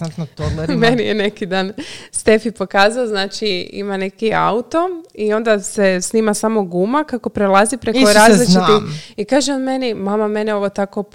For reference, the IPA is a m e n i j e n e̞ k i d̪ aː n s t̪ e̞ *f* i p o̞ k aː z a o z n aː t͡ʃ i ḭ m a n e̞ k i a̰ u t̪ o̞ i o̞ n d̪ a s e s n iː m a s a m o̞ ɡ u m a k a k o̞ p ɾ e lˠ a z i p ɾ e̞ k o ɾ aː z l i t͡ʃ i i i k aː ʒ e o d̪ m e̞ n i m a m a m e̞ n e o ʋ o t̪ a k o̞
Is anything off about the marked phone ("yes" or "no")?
no